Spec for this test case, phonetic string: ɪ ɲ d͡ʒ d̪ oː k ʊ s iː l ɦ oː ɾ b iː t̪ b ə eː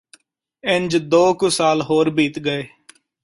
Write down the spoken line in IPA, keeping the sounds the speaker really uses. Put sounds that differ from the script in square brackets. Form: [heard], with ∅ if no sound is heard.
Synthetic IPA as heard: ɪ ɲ d͡ʒ d̪ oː k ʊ s [aː] l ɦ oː ɾ b iː t̪ [ɡ] ə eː